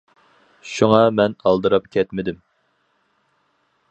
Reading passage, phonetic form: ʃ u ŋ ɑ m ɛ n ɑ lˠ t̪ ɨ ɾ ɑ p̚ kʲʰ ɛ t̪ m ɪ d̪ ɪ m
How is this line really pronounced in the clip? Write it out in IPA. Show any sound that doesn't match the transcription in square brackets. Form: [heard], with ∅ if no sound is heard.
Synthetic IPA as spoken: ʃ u ŋ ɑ m ɛ n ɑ lˠ [d̪] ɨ ɾ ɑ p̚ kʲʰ ɛ t̪ m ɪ d̪ ɪ m